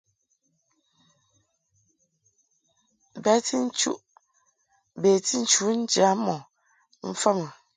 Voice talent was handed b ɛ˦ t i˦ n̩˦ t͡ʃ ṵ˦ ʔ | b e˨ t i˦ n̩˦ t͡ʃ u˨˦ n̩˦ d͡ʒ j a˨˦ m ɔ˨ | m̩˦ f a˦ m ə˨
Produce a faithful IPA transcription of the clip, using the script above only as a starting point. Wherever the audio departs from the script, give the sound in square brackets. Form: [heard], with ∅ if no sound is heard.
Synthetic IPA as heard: b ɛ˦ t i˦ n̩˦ t͡ʃ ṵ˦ ʔ | b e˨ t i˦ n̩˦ t͡ʃ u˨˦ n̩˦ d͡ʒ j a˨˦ m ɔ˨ | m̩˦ f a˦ m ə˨